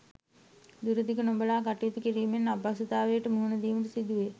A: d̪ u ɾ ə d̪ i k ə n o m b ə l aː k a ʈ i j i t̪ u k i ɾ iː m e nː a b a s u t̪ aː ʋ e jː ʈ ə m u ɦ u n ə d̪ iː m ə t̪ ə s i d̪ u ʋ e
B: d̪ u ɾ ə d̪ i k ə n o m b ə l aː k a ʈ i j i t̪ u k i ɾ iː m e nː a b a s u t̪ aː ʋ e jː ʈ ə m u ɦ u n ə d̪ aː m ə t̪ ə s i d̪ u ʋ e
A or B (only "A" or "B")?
A